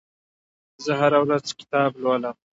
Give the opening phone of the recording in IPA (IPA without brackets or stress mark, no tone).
z